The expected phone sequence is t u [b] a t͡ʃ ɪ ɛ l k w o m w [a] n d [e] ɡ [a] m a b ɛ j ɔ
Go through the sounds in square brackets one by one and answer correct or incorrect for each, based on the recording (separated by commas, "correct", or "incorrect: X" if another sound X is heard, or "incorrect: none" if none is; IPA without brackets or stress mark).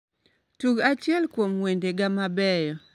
incorrect: ɡ, incorrect: e, correct, correct